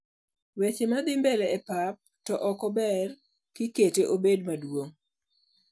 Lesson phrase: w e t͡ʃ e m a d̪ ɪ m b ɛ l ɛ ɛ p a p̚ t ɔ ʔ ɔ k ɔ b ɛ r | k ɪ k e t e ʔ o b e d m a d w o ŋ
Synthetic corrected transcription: w e t͡ʃ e m a d̪ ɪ m b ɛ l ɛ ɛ p a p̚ t ɔ ʔ ɔ k ɔ b ɛ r | k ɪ k e t e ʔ o b e d m a d w o ŋ